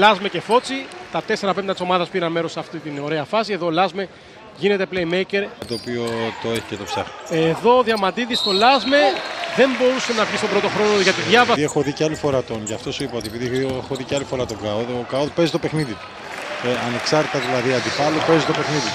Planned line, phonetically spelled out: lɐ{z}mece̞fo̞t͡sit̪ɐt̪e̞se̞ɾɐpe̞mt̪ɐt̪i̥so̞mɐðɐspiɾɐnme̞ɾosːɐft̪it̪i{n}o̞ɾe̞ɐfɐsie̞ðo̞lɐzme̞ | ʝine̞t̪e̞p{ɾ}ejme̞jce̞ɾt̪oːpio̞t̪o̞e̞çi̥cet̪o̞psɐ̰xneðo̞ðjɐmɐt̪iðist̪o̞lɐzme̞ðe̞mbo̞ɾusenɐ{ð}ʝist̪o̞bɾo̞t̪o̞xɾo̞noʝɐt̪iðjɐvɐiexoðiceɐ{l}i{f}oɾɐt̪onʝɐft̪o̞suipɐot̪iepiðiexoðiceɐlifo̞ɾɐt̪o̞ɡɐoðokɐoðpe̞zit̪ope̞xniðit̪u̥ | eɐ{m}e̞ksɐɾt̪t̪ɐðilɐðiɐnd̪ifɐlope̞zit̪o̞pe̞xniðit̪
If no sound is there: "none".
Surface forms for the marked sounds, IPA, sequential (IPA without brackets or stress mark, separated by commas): z, n, l, v, l, f, n